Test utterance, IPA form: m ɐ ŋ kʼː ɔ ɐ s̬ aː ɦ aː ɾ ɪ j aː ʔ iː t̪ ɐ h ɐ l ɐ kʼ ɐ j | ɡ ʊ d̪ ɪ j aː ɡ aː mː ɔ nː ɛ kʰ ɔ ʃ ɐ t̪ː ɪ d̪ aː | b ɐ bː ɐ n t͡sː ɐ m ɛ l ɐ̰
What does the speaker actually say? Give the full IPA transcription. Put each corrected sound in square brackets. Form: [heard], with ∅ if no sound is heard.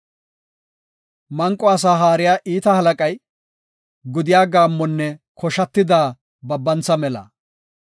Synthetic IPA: m ɐ ŋ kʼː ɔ ɐ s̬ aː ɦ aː ɾ ɪ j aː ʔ iː t̪ ɐ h ɐ l ɐ kʼ ɐ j | ɡ ʊ d̪ ɪ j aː ɡ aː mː ɔ nː ɛ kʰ ɔ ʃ ɐ t̪ː ɪ d̪ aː | b ɐ bː ɐ n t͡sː ɐ m ɛ l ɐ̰